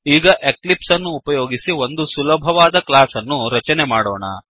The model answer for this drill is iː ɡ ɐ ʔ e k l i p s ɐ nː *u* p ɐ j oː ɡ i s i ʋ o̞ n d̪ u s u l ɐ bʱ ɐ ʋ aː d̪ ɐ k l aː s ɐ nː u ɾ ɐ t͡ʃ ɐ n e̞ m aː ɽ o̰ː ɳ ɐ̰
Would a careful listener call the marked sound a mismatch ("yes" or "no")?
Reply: yes